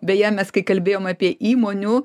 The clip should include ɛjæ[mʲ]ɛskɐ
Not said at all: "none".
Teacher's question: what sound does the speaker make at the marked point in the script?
mʲ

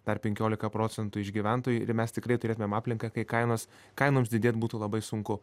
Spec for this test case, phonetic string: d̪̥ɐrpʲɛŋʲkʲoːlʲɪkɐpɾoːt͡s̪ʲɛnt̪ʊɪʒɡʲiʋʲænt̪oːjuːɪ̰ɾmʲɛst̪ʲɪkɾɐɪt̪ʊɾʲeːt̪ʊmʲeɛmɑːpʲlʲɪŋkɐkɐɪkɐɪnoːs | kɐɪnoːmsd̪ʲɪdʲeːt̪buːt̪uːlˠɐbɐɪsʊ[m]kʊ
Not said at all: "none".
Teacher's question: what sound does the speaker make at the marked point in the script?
ŋ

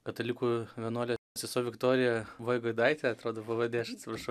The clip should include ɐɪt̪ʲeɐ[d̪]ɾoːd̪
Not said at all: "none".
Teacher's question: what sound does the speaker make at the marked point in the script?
t̪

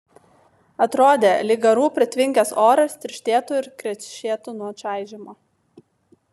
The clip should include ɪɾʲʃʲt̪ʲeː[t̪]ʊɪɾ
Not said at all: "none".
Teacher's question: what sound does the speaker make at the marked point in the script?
t̪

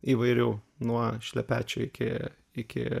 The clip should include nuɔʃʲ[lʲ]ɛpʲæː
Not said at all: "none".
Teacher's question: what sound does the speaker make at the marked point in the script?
lʲ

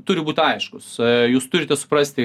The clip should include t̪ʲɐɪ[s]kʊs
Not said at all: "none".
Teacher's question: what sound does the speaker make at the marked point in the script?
ʃ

